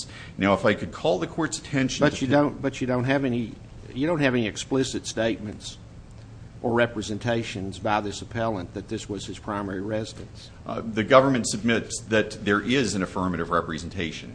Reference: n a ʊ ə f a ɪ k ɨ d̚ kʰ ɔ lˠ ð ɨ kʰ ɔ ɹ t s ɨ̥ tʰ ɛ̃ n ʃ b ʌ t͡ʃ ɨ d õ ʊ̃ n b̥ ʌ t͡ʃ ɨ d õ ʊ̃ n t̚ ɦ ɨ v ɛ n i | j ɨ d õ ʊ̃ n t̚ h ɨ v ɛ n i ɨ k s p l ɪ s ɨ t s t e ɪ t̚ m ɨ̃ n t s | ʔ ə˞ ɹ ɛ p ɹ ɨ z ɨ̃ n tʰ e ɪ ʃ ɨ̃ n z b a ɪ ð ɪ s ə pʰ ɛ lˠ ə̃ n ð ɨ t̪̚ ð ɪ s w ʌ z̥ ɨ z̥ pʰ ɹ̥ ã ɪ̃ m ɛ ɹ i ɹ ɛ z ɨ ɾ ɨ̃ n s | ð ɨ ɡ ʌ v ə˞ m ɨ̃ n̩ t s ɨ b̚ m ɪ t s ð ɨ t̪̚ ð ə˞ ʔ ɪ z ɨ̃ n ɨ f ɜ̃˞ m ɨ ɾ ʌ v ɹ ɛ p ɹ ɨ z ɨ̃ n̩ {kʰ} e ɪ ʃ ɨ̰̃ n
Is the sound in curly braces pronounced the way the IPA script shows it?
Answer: no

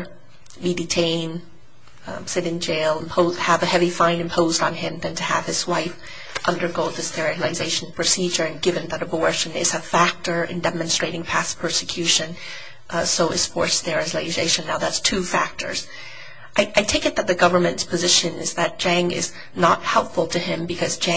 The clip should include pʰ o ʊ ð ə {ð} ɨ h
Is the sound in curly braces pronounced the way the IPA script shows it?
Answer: no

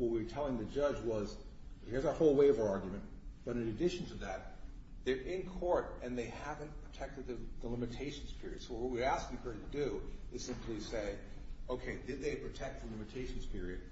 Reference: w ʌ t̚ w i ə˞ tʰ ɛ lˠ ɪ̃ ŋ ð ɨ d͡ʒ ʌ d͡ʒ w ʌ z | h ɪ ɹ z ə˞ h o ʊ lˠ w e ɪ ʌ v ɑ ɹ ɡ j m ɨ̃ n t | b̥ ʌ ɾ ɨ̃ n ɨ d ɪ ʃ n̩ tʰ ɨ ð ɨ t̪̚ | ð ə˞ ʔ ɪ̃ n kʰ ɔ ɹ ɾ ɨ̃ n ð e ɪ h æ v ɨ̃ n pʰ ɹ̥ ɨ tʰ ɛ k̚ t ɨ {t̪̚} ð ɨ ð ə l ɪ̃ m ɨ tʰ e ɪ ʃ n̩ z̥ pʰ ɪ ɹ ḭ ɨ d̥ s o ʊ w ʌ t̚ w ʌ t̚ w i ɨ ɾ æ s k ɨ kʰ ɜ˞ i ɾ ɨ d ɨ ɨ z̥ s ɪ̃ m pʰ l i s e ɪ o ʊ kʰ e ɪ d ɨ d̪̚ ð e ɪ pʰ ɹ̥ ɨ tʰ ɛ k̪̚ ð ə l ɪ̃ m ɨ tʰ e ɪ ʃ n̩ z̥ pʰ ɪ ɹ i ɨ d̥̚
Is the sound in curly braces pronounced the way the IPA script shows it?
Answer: no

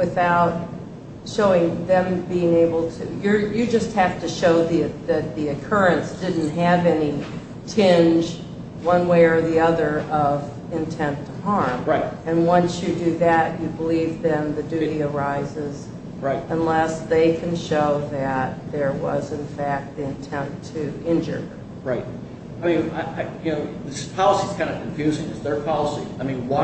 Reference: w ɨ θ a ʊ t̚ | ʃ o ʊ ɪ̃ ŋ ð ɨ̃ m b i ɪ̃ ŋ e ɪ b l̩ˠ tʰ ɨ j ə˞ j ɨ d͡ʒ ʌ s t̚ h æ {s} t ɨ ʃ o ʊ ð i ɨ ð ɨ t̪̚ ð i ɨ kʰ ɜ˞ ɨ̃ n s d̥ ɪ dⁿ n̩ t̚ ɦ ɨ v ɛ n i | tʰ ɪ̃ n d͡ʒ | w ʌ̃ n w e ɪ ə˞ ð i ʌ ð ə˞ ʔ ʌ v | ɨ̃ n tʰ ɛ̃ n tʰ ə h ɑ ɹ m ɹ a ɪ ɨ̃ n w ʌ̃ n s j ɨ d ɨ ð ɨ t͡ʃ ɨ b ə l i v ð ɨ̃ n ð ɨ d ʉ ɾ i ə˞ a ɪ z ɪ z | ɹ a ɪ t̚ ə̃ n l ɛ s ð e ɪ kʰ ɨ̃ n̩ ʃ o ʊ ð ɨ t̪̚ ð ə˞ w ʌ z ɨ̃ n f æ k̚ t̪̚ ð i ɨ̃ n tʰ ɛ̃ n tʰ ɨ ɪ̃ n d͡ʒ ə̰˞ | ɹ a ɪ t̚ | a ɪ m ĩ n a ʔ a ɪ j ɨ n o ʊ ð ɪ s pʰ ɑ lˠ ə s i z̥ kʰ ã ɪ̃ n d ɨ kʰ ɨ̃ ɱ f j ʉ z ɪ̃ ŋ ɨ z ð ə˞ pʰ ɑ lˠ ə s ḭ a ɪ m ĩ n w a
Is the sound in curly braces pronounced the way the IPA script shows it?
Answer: no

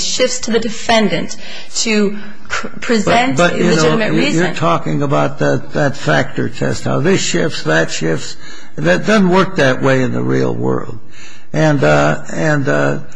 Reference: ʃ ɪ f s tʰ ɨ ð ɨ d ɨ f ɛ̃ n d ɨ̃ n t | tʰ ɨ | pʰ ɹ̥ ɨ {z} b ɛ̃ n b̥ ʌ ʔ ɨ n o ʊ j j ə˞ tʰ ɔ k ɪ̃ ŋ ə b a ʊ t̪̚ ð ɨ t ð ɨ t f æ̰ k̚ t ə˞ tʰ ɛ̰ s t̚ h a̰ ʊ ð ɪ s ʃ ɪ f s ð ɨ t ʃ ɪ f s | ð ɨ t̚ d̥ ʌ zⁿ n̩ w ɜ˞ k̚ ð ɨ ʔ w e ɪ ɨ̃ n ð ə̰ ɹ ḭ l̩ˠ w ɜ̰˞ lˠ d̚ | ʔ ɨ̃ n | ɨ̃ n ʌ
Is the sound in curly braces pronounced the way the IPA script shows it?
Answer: yes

